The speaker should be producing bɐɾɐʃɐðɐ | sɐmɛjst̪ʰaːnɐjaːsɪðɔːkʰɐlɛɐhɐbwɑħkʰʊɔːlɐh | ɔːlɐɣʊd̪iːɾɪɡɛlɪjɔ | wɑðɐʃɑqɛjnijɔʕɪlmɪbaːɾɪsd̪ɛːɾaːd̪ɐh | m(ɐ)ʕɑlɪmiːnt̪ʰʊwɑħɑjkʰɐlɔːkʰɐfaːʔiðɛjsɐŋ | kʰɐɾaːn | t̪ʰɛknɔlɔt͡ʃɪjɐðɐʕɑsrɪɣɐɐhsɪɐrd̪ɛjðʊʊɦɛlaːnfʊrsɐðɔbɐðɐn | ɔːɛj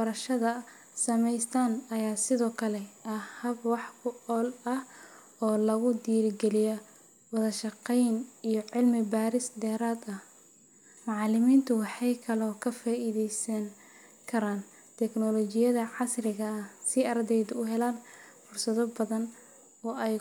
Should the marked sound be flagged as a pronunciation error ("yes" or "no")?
yes